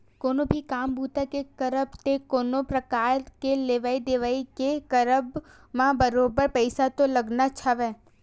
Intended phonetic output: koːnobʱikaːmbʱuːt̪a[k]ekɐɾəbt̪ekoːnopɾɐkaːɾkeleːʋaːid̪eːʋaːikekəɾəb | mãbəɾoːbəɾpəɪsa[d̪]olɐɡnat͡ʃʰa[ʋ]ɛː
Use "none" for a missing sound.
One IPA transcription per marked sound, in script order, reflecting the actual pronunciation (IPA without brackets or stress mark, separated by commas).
k, t̪, ʋ